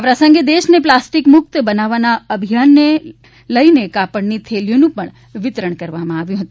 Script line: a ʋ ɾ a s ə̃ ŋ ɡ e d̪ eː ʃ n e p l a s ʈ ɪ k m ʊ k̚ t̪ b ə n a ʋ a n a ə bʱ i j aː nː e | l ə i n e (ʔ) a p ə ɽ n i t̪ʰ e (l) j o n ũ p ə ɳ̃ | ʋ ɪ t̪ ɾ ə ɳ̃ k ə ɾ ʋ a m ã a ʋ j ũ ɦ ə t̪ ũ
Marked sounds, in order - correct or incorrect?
incorrect: k, correct

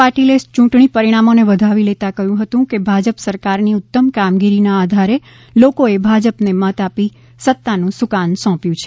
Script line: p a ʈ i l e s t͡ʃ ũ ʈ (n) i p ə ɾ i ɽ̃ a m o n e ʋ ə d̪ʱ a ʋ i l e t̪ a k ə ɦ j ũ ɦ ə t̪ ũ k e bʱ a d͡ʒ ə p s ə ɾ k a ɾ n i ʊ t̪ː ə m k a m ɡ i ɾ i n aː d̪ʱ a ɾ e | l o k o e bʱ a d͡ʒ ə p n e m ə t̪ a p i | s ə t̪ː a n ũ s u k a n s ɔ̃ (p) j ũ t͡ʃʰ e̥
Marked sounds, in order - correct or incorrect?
incorrect: ɳ, correct

